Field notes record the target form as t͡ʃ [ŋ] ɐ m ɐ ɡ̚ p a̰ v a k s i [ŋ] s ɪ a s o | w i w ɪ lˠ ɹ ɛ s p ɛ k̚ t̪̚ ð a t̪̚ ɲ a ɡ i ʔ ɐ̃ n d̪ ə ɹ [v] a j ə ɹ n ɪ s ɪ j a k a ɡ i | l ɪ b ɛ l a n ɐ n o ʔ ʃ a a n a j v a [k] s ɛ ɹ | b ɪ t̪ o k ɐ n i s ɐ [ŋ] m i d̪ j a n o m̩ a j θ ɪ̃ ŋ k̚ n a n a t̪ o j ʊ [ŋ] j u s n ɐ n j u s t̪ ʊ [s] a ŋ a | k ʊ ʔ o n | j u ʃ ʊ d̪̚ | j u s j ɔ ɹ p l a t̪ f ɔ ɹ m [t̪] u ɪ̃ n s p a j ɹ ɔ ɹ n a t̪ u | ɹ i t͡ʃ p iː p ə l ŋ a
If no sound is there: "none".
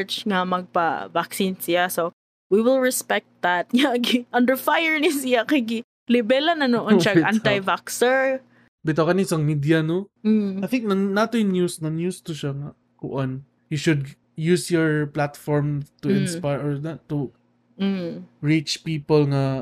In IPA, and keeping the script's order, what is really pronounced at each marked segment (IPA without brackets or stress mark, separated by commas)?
ŋ, n, f, k, ŋ, n, ʃ, t̪